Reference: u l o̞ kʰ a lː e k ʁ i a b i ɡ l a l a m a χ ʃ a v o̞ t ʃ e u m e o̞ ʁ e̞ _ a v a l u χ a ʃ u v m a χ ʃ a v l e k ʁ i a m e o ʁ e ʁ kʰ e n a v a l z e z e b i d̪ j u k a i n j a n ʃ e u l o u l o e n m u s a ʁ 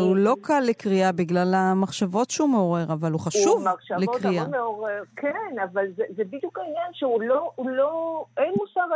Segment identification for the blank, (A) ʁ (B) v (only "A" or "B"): A